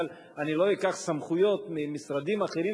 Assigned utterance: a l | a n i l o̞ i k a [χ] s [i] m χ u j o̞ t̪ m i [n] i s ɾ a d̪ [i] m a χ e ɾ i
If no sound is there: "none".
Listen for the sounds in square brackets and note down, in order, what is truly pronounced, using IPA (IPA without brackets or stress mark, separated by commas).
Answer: χ, a, m, i